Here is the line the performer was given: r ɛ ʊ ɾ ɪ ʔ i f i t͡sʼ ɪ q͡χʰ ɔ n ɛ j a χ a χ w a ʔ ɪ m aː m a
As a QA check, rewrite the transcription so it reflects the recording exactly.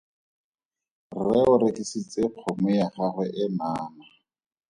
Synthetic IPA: r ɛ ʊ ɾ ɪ k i s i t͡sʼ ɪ q͡χʰ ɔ m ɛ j a χ a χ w ɛ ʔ ɪ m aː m a

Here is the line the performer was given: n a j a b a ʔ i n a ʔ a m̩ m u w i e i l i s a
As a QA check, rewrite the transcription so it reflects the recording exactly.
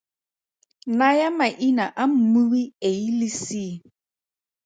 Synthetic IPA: n a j a m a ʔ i n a ʔ a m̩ m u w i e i l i s i

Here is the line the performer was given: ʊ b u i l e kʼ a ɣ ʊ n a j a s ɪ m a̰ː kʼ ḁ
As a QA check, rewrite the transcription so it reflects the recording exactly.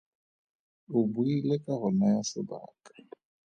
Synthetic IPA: ʊ b u i l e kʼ a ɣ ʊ n a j a s ɪ b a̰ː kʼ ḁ

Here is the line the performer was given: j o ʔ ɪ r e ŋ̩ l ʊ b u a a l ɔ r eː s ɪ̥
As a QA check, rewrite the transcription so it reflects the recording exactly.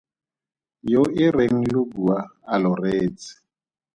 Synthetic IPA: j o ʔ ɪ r e ŋ̩ l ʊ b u a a l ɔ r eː t͡s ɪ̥

